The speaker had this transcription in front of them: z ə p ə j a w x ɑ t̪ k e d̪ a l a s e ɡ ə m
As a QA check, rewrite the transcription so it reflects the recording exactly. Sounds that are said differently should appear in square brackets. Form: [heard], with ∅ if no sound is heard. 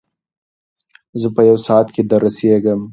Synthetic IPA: z ə p ə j a w [s] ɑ t̪ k e d̪ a [ɾ] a s e ɡ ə m